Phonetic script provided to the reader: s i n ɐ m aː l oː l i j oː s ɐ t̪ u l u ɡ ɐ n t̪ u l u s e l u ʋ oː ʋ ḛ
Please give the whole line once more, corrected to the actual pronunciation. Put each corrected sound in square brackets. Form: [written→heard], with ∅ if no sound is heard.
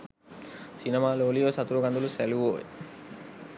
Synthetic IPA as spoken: s i n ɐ m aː l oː l i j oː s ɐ t̪ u [l→ɾ] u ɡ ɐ n [t̪→d̪] u l u s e l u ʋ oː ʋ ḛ